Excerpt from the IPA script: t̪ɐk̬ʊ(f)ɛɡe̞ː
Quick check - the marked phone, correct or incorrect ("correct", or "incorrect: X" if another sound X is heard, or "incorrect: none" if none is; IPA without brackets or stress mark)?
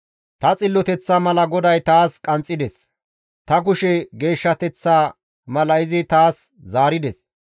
incorrect: ʃ